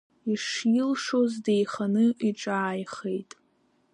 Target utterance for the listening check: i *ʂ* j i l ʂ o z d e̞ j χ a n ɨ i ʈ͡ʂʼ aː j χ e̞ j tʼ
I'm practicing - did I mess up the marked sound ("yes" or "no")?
no